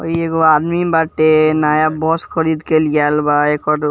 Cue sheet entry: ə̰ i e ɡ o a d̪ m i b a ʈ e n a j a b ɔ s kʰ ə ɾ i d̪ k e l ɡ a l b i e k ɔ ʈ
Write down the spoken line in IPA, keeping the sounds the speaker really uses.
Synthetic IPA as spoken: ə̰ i e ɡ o a d̪ m i b a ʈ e n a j a b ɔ s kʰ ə ɾ i d̪ k e l ɡ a l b a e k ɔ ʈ